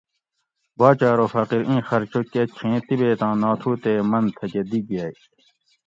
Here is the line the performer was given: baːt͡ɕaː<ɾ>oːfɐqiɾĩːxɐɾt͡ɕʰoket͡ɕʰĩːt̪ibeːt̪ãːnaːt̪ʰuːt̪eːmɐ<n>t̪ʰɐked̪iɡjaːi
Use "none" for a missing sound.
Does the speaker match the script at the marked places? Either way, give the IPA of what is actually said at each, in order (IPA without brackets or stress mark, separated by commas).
ɾ, n